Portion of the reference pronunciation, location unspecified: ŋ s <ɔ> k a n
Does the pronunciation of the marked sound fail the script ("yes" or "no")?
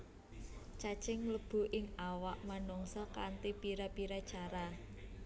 no